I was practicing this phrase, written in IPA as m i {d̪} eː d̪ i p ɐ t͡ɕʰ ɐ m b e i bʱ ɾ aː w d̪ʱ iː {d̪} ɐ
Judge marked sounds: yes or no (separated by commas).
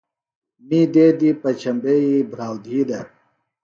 yes, yes